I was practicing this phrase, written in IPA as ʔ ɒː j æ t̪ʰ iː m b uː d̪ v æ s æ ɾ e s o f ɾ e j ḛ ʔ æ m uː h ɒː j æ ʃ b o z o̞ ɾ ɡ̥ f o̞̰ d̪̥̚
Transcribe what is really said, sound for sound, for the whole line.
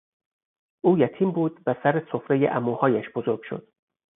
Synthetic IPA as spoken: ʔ uː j æ t̪ʰ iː m b uː d̪ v æ s æ ɾ e s o f ɾ e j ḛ ʔ æ m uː h ɒː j æ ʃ b o z o̞ ɾ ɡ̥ ʃ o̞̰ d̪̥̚